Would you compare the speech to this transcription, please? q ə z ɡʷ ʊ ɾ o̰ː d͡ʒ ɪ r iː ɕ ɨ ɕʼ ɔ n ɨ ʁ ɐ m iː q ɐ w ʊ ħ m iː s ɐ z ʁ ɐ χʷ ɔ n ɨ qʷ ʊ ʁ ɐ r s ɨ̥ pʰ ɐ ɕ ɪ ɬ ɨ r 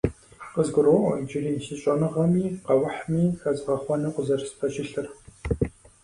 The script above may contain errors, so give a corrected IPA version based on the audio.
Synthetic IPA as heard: q ə z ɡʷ ʊ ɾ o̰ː d͡ʒ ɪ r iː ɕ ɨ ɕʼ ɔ n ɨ ʁ ɐ m iː q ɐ w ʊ ħ m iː x ɐ z ʁ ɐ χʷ ɔ n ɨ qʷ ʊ z ɐ r s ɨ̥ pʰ ɐ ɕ ɪ ɬ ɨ r